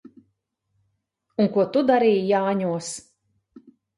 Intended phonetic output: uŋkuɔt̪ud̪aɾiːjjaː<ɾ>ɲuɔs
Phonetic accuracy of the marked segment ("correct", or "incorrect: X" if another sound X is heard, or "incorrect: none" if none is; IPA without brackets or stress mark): incorrect: none